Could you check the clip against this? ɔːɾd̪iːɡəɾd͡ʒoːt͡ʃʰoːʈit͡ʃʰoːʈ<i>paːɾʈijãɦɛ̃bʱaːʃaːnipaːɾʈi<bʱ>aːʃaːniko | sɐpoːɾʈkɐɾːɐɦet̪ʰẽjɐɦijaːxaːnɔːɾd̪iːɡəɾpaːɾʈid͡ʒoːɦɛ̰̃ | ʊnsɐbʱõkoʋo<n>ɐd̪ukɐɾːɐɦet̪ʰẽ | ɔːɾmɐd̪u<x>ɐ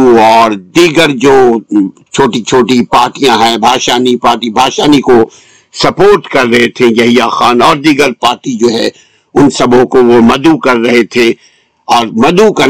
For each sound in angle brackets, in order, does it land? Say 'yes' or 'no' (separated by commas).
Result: yes, yes, no, no